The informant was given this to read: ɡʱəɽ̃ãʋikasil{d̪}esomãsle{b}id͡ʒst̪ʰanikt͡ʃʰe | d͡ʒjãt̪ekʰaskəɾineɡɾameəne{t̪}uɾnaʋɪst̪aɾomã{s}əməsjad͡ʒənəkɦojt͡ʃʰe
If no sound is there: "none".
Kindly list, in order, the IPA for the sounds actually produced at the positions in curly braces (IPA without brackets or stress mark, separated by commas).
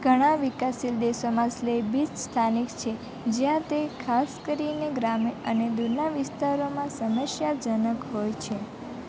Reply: d̪, b, d̪, s